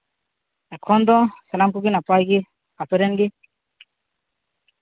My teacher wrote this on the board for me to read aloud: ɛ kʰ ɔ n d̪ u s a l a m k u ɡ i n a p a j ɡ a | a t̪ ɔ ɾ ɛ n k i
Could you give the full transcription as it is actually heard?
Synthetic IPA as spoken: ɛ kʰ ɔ n d̪ ɔ s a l a m k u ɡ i n a p a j ɡ i | a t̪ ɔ ɾ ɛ n ɡ i